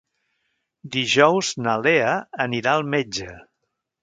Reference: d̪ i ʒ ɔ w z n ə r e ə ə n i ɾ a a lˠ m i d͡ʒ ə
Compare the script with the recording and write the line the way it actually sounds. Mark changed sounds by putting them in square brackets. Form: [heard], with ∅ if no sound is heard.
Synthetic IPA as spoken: d̪ i ʒ ɔ w z n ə [l] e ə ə n i ɾ a [ə] lˠ m [e] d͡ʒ ə